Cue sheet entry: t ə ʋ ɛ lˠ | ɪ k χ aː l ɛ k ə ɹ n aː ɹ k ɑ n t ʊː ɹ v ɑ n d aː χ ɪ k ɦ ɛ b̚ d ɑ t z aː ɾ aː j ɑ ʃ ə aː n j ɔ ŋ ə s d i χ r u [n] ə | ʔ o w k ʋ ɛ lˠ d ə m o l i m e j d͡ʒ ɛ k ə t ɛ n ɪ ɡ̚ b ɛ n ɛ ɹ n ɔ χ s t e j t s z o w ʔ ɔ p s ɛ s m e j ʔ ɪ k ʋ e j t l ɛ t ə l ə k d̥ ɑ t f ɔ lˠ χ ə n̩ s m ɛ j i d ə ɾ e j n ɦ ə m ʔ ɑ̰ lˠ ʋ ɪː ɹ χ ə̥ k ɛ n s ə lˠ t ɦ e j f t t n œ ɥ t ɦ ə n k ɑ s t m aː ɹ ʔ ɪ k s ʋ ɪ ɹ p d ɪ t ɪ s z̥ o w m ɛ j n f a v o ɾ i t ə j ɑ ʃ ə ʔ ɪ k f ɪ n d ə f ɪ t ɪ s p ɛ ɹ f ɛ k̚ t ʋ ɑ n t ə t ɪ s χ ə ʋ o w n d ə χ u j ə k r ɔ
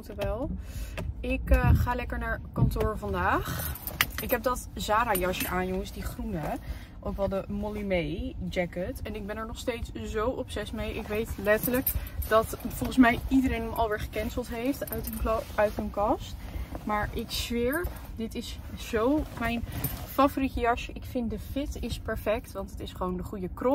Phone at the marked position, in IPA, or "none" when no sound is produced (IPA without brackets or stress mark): n